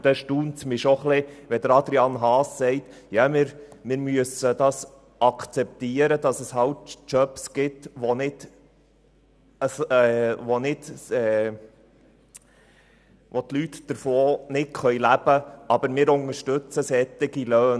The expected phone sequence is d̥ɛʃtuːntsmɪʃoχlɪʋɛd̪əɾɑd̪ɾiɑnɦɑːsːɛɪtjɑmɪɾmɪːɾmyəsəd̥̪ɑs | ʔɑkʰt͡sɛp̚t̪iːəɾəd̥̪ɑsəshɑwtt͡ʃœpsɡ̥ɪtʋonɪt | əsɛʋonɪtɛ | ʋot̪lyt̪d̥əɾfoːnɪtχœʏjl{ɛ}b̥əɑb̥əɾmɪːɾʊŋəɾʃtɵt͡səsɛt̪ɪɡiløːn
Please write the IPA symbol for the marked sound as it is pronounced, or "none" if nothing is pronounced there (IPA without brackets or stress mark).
æ